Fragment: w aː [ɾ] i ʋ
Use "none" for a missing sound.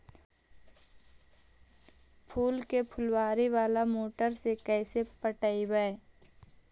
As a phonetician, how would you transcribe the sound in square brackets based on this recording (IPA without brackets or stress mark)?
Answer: ɾ